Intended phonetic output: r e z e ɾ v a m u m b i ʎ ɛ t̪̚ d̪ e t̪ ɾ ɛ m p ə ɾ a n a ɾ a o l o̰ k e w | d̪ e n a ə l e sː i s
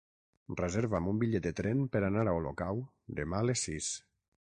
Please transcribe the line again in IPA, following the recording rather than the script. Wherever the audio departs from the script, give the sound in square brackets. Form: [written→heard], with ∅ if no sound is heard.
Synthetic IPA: r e z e ɾ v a m u m b i ʎ ɛ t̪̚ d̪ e t̪ ɾ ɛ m p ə ɾ a n a ɾ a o l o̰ k [e→a] w | d̪ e [n→m] a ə l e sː i s